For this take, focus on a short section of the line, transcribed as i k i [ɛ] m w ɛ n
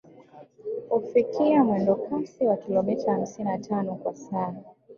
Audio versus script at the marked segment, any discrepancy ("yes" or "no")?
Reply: yes